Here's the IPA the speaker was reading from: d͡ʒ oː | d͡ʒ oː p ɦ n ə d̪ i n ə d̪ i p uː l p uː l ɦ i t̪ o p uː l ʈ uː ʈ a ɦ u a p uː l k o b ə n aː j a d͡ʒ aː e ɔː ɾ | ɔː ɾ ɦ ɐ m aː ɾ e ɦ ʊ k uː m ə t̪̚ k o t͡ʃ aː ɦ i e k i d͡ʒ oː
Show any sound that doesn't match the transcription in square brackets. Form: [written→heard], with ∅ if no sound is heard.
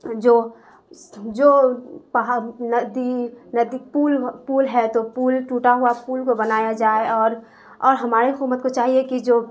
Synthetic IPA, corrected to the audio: d͡ʒ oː | d͡ʒ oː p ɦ n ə d̪ i n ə d̪ i p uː l p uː l ɦ [i→ɛ] t̪ o p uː l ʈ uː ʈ a ɦ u a p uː l k o b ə n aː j a d͡ʒ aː e ɔː ɾ | ɔː ɾ ɦ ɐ m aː ɾ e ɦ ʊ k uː m ə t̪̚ k o t͡ʃ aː ɦ i e k i d͡ʒ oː